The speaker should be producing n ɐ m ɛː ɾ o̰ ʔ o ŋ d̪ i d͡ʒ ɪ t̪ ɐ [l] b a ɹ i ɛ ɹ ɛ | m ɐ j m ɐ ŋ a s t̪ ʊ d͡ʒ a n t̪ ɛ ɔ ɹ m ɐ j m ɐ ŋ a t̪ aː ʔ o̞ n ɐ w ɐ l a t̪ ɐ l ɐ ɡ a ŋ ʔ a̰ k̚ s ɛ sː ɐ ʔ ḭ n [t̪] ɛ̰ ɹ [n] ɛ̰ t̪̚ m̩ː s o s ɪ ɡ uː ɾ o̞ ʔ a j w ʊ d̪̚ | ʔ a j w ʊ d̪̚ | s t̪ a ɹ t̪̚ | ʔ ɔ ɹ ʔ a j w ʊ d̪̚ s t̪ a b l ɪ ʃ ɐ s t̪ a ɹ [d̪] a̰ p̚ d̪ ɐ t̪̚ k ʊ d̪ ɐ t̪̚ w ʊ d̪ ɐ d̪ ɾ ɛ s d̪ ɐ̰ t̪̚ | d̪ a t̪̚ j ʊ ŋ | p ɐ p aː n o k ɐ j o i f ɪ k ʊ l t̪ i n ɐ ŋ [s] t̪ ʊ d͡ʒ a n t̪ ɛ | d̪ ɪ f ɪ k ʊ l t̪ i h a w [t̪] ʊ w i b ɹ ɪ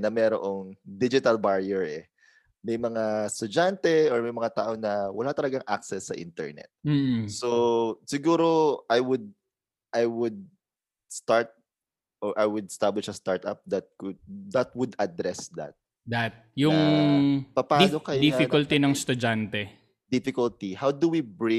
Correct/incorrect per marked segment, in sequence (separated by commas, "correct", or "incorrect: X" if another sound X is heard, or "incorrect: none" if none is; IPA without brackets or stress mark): correct, correct, correct, incorrect: t̪, correct, incorrect: d̪